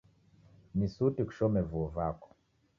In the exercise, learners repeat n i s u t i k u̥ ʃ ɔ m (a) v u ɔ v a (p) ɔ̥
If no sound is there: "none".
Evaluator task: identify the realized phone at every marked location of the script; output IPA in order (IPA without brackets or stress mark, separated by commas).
ɛ, k